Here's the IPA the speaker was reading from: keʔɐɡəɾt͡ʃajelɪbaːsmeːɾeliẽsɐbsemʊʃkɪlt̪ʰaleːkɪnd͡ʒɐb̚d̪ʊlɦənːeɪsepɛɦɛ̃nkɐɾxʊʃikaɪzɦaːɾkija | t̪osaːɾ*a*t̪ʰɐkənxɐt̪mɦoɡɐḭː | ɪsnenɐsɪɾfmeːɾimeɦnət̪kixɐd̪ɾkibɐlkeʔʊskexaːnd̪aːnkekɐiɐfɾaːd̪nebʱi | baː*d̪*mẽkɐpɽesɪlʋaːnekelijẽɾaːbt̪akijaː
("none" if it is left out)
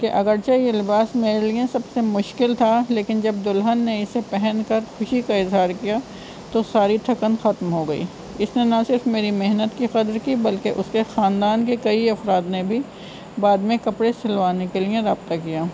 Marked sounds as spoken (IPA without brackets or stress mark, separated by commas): i, d̪